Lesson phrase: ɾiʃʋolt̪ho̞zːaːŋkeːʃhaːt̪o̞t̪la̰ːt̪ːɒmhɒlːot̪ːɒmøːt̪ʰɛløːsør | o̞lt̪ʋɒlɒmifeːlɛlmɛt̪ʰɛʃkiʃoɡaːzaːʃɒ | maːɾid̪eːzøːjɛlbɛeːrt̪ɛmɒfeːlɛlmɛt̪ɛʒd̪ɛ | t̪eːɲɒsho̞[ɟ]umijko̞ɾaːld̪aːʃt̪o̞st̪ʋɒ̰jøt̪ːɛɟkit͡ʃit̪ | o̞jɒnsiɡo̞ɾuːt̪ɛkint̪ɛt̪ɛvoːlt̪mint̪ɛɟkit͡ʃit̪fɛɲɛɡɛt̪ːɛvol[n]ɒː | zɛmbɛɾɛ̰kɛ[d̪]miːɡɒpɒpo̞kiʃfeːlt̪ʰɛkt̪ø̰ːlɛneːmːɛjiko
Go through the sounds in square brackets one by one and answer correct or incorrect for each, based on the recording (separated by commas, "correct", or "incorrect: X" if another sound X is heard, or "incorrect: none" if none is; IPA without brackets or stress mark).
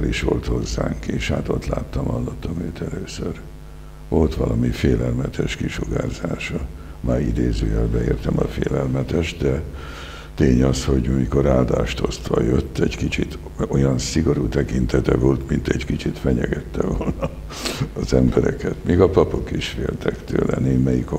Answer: correct, correct, incorrect: t̪